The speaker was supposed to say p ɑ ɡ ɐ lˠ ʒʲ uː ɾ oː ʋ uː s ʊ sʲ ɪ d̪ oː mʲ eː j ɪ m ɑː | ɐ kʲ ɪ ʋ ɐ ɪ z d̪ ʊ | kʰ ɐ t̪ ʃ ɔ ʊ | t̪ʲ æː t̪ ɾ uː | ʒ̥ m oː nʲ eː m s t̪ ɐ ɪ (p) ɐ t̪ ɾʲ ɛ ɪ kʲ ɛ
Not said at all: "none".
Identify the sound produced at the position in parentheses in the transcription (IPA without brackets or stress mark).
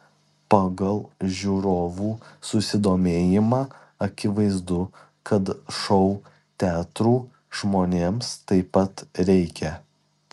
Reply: p